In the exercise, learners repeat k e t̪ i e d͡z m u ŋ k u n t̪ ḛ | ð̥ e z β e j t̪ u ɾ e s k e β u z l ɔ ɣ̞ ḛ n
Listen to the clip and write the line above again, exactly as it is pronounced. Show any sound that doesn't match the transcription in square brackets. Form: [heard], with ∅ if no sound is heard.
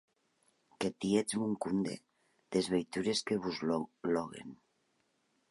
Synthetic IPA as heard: k e t̪ i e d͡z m u ŋ k u n [d̪] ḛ | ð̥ e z β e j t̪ u ɾ e s k e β u z l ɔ ɣ̞ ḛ n